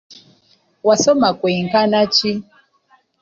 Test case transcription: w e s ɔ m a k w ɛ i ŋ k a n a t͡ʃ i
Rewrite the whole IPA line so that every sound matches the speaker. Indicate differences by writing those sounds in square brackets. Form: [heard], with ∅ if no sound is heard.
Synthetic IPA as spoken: w [a] s ɔ m a k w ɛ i ŋ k a n a t͡ʃ i